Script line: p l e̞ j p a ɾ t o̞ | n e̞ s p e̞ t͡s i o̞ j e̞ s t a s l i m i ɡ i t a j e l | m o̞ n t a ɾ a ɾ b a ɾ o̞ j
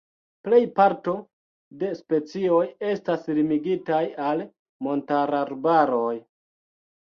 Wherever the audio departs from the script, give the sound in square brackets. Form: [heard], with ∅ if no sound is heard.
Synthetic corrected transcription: p l e̞ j p a ɾ t o̞ | [d] e̞ s p e̞ t͡s i o̞ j e̞ s t a s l i m i ɡ i t a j [a] l | m o̞ n t a ɾ a ɾ b a ɾ o̞ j